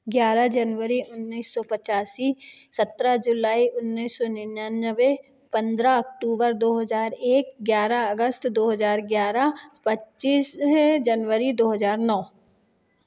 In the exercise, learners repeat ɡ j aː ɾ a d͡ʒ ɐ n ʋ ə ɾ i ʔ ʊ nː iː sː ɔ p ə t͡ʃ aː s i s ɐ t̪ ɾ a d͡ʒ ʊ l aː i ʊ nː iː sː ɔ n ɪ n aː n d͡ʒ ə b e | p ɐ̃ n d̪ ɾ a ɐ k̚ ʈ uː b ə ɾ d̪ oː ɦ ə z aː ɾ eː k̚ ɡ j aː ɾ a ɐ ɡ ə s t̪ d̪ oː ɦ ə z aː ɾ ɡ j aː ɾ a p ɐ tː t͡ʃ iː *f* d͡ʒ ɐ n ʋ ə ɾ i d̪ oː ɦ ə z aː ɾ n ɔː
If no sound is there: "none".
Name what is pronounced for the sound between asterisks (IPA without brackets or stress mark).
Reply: s